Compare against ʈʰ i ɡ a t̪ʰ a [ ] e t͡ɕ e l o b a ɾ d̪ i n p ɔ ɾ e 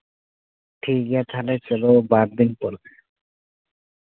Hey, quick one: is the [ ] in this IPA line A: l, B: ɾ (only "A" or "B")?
A